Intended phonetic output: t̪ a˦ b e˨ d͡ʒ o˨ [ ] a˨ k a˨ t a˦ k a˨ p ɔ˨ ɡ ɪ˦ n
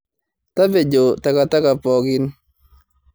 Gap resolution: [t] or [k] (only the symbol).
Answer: t